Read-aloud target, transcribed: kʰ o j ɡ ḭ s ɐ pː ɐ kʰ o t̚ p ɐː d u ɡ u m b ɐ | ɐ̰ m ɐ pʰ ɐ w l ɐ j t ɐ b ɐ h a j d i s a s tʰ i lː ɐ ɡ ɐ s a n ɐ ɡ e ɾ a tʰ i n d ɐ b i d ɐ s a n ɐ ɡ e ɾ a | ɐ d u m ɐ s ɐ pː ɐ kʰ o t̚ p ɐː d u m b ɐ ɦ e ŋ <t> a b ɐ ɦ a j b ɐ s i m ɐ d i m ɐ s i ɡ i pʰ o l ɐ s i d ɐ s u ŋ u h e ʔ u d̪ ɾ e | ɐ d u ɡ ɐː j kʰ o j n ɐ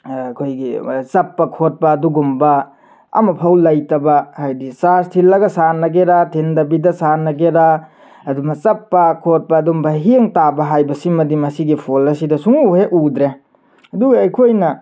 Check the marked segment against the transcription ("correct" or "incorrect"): correct